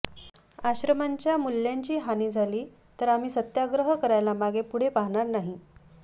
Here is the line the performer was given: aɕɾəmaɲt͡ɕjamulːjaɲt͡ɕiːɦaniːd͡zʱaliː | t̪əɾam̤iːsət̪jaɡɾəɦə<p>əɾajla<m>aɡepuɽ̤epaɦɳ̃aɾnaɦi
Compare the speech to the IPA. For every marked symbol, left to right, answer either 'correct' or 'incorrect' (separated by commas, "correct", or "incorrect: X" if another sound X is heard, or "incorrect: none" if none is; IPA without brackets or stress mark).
incorrect: k, correct